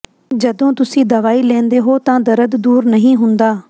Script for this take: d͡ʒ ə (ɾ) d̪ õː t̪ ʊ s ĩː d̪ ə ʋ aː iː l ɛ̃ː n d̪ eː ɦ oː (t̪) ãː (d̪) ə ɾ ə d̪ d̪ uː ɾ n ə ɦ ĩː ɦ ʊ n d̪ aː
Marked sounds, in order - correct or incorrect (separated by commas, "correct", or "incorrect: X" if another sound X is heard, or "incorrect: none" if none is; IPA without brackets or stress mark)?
incorrect: none, correct, correct